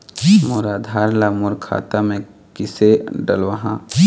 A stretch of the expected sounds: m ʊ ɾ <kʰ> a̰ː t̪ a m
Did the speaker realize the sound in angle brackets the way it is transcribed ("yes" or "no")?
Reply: yes